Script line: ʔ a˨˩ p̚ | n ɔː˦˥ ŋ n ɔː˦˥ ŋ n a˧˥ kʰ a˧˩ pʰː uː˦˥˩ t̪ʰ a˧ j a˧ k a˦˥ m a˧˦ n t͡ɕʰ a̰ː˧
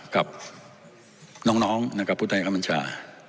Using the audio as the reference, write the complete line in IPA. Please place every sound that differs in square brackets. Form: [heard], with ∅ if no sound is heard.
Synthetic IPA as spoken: [k] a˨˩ p̚ | n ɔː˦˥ ŋ n ɔː˦˥ ŋ n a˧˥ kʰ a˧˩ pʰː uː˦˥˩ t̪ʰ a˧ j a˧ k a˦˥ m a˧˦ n t͡ɕʰ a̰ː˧

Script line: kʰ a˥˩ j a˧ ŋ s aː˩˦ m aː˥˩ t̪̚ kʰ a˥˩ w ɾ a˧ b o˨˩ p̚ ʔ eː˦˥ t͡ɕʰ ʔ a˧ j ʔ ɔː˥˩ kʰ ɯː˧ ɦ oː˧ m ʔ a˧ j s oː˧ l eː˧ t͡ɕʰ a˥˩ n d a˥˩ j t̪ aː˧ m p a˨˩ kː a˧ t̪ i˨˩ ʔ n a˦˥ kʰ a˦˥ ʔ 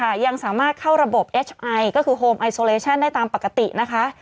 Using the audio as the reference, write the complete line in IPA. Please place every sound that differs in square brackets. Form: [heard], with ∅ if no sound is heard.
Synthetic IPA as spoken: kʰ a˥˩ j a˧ ŋ s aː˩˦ m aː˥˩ t̪̚ kʰ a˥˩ w ɾ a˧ b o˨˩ p̚ ʔ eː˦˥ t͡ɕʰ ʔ a˧ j [k] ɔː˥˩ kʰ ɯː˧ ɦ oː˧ m ʔ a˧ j s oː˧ l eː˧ t͡ɕʰ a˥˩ n d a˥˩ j t̪ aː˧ m p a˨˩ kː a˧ t̪ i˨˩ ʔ n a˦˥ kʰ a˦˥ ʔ

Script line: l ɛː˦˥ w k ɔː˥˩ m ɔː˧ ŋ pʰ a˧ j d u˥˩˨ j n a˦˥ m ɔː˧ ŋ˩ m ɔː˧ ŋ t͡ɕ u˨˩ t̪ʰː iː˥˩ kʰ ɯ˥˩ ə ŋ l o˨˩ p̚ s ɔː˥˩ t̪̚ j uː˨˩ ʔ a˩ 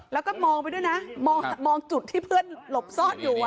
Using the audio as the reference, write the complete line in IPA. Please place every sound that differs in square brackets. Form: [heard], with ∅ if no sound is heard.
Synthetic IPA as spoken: l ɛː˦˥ w k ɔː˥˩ m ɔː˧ ŋ [p] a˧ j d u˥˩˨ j n a˦˥ m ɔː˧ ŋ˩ m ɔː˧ ŋ t͡ɕ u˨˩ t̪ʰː iː˥˩ [pʰ] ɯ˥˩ ə [n] l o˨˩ p̚ s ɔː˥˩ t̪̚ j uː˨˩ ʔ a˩

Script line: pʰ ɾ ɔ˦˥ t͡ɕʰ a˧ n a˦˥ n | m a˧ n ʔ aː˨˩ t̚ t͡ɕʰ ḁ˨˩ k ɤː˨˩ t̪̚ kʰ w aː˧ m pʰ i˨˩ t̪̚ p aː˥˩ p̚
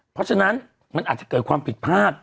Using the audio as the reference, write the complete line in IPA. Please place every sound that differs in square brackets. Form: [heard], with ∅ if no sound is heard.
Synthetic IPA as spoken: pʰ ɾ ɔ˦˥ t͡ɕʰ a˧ n a˦˥ n | m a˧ n ʔ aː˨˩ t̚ [t͡ɕ] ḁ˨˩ k ɤː˨˩ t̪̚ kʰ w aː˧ m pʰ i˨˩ t̪̚ [pʰ] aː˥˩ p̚

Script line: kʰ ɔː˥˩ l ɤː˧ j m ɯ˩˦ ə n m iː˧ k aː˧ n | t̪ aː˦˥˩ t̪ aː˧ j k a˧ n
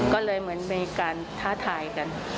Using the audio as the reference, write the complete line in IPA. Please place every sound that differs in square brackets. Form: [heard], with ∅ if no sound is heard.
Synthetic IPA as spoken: [k] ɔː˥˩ l ɤː˧ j m ɯ˩˦ ə n m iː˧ k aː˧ n | [t̪ʰ] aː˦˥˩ [t̪ʰ] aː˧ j k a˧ n

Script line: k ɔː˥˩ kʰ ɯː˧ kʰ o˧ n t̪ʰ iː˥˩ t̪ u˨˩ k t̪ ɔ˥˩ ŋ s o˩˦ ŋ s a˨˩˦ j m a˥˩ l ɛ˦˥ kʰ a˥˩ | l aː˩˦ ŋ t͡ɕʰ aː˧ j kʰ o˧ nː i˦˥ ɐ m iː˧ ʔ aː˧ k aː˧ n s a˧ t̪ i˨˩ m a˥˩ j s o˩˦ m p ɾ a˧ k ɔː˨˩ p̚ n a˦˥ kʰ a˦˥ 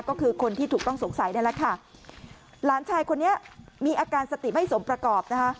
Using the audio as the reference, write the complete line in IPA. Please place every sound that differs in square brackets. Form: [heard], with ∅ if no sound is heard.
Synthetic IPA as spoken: k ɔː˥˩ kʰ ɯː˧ kʰ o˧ n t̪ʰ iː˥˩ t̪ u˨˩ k t̪ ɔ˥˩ ŋ s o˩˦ ŋ s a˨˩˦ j [n] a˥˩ l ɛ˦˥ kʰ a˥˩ | l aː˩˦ [n] t͡ɕʰ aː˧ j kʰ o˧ nː i˦˥ ɐ m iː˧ ʔ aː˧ k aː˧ n s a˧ t̪ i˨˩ m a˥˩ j s o˩˦ m p ɾ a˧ k ɔː˨˩ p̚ n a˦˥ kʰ a˦˥

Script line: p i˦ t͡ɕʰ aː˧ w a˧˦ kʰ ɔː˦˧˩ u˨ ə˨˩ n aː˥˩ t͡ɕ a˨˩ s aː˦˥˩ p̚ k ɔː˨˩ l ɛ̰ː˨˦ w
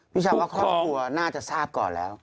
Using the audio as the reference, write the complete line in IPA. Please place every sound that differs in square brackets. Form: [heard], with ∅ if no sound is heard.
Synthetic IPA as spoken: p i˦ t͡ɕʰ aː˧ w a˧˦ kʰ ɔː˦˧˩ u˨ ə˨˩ n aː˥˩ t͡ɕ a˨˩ s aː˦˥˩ p̚ k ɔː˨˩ l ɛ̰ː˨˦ w

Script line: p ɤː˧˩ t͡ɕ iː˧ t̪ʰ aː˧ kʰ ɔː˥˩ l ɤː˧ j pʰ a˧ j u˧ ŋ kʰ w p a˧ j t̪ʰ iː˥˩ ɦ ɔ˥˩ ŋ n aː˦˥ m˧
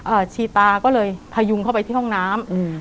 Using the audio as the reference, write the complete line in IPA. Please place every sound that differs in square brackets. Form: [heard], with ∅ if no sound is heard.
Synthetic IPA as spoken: [ʔ] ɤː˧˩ [t͡ɕʰ] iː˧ [t̪] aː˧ [k] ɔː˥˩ l ɤː˧ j pʰ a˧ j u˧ ŋ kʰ w p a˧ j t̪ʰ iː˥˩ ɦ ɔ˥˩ ŋ n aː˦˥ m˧

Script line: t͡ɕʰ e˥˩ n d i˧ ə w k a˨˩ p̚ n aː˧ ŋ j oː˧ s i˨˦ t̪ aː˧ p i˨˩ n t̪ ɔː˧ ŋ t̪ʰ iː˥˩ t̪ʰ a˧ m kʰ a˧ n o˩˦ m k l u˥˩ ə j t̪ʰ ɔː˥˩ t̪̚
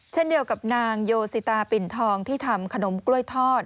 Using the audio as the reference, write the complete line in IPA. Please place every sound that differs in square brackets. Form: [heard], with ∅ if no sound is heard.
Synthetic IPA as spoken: t͡ɕʰ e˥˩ n d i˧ ə w k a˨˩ p̚ n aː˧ ŋ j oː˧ s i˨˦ t̪ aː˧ p i˨˩ n [t̪ʰ] ɔː˧ ŋ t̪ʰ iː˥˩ t̪ʰ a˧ m kʰ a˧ n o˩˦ m k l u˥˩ ə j t̪ʰ ɔː˥˩ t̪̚

